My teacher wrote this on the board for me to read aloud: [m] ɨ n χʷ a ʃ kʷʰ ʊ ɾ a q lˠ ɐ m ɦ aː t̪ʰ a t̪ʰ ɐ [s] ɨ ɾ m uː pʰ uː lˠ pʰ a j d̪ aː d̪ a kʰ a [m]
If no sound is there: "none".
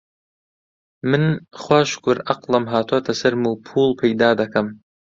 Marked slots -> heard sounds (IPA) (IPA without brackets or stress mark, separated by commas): m, s, m